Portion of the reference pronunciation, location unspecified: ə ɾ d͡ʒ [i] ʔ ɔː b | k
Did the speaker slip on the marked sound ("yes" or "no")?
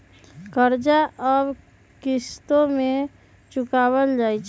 yes